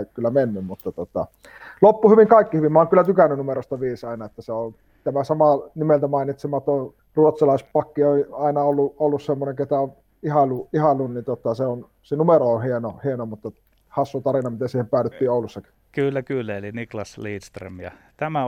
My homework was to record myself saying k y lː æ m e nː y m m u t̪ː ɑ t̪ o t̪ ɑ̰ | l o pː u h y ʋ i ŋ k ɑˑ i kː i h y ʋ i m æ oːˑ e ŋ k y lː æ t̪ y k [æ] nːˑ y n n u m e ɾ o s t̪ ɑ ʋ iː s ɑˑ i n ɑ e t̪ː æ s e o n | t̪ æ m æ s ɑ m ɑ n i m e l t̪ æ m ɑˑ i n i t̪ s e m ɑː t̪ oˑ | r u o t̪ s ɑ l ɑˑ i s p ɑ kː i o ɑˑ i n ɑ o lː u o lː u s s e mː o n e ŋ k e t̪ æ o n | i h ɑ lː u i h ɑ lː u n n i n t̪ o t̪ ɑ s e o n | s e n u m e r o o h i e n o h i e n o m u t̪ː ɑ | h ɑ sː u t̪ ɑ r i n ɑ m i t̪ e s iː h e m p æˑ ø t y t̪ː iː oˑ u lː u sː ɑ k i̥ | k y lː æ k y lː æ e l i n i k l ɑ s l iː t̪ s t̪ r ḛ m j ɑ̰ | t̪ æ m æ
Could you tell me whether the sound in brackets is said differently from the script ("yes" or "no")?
no